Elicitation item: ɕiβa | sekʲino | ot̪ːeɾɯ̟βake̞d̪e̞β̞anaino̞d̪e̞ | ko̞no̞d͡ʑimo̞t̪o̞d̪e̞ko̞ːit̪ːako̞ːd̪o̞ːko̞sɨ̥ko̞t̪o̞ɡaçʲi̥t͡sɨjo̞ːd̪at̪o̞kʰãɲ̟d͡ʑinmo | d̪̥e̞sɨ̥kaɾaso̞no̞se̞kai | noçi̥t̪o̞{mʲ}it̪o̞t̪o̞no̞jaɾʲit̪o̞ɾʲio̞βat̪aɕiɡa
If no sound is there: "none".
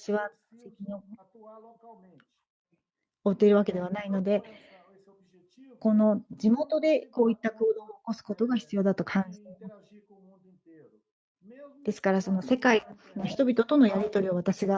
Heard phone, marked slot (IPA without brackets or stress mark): bʲ